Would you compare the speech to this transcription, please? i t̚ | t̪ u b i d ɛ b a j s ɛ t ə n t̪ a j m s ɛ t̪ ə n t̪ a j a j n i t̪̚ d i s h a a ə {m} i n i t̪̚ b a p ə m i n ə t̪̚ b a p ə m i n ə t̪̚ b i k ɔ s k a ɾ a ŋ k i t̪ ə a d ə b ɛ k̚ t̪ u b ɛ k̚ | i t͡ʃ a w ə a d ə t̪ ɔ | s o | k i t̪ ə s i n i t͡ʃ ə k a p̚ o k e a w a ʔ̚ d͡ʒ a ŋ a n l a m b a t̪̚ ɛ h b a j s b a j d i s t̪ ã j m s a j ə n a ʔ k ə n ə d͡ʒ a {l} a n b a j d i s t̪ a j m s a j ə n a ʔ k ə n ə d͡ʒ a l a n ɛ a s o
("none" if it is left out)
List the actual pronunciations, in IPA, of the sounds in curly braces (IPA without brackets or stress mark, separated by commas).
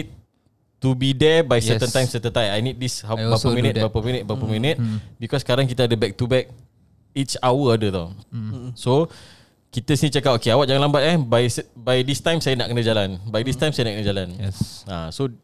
m, l